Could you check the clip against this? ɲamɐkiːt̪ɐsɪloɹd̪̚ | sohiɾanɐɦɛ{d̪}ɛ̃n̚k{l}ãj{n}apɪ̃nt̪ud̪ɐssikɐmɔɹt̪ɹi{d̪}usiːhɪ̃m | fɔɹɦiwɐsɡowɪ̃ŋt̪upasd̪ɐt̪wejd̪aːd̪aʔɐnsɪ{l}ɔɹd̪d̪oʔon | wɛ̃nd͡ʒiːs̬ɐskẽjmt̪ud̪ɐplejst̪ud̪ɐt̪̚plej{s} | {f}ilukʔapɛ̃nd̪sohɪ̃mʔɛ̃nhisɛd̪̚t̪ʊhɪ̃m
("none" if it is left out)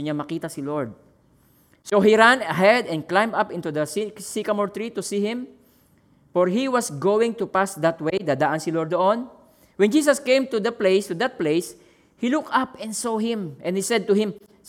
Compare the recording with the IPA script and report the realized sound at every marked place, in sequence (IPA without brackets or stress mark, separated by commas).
d̪, l, m, t̪, l, s, h